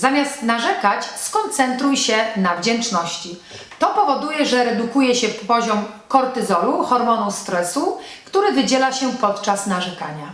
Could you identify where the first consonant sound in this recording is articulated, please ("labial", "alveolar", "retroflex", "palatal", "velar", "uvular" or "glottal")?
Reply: alveolar